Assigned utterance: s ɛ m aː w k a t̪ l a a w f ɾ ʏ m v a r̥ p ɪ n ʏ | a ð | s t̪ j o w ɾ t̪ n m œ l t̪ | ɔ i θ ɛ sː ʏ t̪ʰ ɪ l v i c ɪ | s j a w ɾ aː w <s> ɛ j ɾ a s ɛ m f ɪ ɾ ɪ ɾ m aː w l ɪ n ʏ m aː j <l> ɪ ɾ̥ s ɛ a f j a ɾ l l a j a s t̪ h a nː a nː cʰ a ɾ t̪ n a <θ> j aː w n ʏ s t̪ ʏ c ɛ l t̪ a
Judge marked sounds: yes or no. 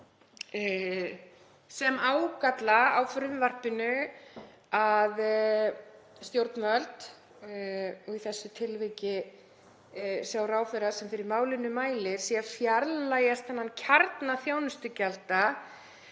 no, yes, yes

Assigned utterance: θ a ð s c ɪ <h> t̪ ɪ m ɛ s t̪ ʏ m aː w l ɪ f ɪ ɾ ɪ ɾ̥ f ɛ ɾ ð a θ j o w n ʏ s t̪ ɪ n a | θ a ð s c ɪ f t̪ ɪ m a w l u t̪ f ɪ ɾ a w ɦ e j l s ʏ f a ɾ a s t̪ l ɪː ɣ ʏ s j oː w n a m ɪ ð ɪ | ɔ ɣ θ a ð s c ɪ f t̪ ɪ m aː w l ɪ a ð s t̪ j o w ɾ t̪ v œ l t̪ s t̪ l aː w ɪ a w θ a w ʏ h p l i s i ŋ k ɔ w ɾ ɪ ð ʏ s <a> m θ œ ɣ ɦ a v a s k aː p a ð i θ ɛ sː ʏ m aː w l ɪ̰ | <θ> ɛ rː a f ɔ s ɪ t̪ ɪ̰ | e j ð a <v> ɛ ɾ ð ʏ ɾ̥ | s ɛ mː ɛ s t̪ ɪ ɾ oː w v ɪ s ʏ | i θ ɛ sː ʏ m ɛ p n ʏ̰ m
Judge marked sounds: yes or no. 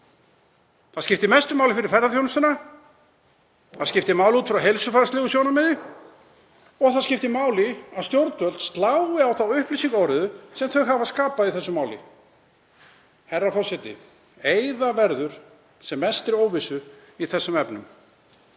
no, no, no, yes

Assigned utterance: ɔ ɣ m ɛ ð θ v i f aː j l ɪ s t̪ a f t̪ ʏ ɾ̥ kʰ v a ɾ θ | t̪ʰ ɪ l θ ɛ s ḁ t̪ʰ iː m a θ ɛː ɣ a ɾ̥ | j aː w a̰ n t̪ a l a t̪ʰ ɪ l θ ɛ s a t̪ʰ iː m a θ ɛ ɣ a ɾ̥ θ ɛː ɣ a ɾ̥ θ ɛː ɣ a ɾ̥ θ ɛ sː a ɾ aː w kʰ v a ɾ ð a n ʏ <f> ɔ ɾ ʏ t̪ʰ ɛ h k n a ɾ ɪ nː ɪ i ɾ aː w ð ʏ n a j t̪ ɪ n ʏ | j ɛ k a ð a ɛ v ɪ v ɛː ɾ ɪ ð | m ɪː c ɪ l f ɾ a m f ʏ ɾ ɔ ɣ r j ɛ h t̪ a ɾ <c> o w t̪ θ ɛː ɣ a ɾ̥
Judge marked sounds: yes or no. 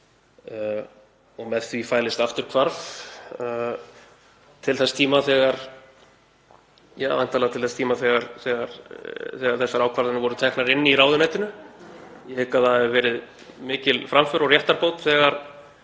no, no

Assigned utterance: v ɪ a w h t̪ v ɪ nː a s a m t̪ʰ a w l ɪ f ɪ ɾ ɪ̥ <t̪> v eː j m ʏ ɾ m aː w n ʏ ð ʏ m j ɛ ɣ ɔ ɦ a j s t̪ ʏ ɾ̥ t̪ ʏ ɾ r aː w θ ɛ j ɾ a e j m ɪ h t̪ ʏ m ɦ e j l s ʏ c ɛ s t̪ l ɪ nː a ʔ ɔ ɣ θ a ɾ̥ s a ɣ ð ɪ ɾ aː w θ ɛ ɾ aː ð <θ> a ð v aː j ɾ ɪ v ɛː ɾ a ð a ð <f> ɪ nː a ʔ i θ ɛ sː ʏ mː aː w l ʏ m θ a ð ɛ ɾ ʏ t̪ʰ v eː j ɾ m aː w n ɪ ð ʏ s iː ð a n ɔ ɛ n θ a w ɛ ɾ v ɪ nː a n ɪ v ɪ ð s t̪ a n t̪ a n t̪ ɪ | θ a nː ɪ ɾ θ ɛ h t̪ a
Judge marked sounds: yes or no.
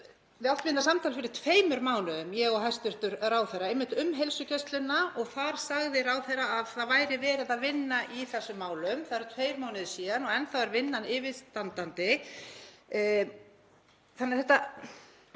no, yes, no

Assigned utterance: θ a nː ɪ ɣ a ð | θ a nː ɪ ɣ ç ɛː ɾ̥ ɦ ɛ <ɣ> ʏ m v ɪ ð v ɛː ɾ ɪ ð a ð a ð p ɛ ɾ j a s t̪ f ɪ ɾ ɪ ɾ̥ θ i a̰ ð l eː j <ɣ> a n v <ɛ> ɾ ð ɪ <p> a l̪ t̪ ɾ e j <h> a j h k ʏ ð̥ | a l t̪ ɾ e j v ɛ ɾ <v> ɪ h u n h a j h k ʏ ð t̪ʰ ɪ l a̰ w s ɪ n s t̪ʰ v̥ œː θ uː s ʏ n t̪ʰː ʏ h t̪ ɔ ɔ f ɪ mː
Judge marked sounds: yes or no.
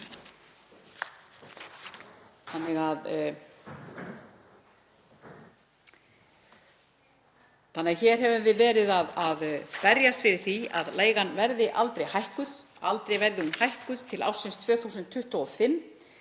no, yes, yes, no, yes, no

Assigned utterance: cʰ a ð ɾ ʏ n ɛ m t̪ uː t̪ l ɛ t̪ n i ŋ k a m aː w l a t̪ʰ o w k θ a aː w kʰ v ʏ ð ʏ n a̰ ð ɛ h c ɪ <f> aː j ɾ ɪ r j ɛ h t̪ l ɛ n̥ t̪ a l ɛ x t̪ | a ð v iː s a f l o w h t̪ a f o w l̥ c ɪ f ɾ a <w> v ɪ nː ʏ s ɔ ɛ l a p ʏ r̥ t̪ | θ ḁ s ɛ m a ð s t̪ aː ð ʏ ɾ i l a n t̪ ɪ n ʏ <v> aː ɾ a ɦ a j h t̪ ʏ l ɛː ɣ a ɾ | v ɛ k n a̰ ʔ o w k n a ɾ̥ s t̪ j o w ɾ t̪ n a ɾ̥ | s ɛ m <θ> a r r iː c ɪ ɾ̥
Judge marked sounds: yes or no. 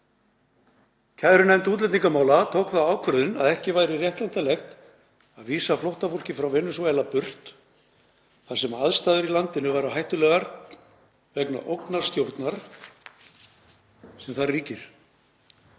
no, yes, yes, yes

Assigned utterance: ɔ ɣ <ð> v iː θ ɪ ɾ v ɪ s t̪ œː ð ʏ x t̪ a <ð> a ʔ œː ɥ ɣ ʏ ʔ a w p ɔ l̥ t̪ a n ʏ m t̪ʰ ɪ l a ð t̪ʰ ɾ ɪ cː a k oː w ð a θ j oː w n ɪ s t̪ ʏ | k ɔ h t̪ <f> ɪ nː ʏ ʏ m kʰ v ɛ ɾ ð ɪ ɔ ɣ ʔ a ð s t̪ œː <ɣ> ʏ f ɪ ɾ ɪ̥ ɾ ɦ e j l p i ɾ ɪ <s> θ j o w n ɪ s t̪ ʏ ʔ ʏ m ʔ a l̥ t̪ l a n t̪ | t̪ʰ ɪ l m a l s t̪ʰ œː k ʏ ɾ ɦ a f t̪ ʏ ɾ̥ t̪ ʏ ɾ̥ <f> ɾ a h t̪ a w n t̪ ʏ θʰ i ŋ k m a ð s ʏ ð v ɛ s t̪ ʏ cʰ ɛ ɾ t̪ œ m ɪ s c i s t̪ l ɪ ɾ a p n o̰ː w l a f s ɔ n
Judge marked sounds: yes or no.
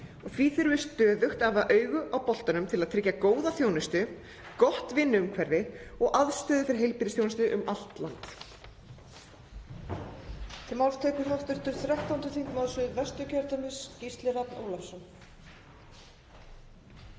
no, no, no, no, yes, no

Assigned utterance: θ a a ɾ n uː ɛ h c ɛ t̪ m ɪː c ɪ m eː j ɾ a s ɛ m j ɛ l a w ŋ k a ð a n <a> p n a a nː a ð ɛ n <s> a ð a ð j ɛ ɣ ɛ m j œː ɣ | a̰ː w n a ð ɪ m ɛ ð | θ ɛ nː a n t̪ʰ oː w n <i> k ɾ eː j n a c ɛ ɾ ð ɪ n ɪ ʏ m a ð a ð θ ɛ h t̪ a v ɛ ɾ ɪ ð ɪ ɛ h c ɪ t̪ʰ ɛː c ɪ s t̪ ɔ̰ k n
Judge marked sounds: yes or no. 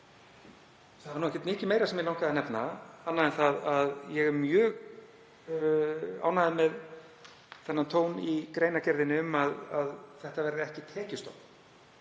no, no, yes

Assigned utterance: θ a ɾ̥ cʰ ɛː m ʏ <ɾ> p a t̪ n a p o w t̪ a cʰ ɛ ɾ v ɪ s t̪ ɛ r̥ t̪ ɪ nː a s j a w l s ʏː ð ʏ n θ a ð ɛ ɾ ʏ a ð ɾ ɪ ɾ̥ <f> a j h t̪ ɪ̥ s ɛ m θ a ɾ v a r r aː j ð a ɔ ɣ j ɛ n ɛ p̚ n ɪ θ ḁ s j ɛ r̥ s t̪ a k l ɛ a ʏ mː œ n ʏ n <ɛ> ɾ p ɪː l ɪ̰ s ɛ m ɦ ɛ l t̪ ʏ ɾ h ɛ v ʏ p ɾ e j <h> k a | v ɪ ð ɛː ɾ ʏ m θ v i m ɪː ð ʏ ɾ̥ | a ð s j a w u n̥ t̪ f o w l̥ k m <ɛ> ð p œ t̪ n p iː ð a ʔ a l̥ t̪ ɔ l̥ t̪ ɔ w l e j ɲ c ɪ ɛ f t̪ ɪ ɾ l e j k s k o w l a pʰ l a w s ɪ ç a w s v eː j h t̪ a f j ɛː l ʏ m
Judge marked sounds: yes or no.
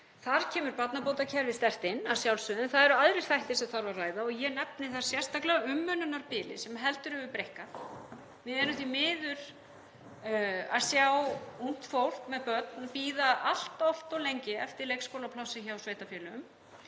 yes, no, no, yes, yes

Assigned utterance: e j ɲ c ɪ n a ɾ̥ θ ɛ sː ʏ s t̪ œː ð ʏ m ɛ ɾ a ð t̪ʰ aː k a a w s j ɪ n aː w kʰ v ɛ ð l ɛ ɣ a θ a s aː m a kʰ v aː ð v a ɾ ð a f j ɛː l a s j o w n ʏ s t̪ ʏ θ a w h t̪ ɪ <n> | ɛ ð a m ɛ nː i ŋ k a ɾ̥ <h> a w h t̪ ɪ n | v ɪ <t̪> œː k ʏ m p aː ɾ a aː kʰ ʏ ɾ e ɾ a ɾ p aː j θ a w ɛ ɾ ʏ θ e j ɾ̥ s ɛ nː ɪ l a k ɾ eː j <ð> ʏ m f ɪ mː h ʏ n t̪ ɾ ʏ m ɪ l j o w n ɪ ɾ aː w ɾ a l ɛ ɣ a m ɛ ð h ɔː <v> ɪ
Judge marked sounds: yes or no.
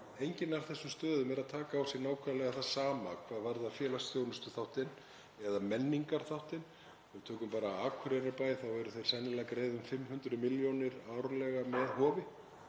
yes, no, no, yes, yes

